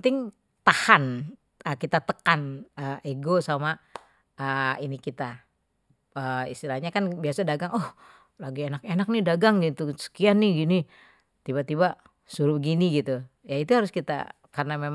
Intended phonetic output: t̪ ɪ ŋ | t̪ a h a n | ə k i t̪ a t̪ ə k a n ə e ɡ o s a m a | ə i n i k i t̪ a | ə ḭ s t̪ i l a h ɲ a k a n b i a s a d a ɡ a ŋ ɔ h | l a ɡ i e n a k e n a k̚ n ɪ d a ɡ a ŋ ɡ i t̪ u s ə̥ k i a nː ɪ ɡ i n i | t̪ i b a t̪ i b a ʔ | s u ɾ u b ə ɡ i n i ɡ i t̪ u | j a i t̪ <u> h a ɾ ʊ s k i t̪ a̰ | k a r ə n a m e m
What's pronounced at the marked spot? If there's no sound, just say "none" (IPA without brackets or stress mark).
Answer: u